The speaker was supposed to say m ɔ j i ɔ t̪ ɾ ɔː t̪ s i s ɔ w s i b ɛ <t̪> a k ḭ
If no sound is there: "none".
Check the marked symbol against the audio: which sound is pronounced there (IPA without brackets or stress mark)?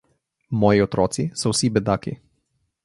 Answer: d̪